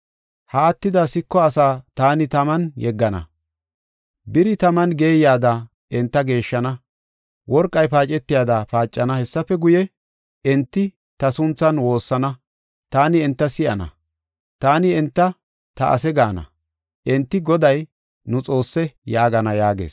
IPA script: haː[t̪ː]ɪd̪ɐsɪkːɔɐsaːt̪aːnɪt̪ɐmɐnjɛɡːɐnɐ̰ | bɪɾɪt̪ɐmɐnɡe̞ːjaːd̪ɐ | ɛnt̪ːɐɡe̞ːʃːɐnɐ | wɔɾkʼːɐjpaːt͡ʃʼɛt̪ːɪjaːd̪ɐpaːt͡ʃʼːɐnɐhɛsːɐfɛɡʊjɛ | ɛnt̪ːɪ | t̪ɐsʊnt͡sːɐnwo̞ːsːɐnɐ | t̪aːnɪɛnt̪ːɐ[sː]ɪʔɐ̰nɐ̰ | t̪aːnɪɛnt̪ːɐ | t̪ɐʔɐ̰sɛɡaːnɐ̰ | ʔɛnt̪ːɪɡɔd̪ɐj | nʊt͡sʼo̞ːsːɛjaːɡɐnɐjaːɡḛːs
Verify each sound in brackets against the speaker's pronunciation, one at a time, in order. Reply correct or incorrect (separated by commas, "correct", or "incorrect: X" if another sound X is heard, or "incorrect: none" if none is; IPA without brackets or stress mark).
correct, incorrect: s